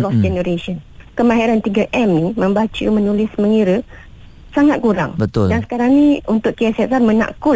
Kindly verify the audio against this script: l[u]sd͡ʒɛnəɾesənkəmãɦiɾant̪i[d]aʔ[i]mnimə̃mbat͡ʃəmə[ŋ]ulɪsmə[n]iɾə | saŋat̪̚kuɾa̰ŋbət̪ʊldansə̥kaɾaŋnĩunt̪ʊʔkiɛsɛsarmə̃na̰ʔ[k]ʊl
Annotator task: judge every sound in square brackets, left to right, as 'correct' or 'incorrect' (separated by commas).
incorrect, incorrect, incorrect, incorrect, incorrect, correct